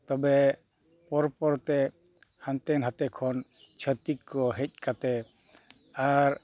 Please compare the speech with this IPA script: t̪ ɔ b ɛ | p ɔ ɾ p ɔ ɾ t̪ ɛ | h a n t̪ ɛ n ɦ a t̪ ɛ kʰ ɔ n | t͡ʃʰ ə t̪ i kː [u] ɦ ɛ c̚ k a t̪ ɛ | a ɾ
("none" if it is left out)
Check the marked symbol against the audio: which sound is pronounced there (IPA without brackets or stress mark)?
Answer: ɔ